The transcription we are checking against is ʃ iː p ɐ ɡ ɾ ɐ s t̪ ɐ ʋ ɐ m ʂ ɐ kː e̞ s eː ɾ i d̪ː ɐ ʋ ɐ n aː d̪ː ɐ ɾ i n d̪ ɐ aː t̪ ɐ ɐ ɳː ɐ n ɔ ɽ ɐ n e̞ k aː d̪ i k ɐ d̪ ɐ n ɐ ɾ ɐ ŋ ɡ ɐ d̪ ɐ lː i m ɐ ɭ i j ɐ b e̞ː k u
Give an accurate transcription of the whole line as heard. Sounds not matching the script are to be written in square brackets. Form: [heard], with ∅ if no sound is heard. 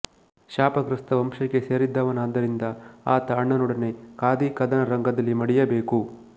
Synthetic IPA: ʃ [aː] p ɐ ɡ ɾ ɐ s t̪ ɐ ʋ ɐ m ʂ ɐ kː e̞ s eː ɾ i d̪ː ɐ ʋ ɐ n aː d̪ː ɐ ɾ i n d̪ ɐ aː t̪ ɐ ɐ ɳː ɐ n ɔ ɽ ɐ n e̞ k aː d̪ i k ɐ d̪ ɐ n ɐ ɾ ɐ ŋ ɡ ɐ d̪ ɐ lː i m ɐ [ɽ] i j ɐ b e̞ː k u